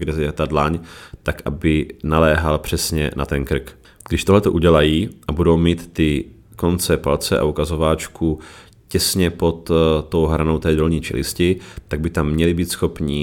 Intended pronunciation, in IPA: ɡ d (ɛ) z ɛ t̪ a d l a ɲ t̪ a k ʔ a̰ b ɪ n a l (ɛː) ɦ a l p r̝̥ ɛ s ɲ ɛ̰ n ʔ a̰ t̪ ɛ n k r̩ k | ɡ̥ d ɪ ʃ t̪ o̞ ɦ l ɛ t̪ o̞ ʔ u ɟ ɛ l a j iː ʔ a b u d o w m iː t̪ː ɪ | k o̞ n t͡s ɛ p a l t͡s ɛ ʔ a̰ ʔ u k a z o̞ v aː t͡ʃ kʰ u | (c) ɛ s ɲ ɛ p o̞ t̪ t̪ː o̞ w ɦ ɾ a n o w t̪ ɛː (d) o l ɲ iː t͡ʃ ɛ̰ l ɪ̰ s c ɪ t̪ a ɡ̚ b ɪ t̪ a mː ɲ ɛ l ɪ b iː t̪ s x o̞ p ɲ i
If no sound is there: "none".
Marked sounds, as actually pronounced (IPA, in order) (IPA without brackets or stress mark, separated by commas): ɛ, ɛː, c, d